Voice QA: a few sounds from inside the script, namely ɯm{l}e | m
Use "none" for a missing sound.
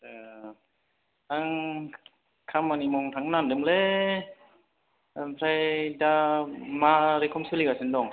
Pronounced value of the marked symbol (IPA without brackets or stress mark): l